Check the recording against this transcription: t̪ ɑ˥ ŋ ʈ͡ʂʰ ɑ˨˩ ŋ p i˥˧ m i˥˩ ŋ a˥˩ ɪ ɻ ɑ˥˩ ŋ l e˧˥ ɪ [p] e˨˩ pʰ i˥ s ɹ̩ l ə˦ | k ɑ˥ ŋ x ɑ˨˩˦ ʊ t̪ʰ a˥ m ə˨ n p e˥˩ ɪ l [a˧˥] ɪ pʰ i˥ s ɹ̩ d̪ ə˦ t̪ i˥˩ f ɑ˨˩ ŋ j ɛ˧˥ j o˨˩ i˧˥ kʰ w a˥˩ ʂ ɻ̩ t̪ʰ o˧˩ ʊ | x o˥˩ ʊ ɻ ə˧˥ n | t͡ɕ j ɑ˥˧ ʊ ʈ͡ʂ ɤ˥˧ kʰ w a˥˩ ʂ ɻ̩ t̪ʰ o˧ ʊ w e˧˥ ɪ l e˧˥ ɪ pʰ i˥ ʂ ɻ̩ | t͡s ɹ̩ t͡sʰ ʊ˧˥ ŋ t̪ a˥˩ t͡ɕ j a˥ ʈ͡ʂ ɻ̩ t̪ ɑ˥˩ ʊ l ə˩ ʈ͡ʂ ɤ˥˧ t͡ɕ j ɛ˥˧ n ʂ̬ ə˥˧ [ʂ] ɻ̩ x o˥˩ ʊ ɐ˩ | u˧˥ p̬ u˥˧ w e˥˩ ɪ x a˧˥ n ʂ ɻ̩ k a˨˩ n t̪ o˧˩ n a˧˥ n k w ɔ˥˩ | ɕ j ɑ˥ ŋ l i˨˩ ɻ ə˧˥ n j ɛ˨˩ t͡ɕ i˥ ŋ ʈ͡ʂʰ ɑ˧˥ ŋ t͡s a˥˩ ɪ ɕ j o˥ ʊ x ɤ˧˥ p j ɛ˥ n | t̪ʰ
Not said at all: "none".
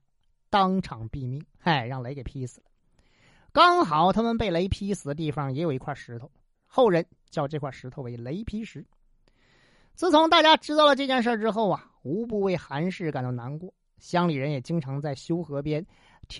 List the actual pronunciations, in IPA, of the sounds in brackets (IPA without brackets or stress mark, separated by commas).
k, e˧˥, ʈ͡ʂ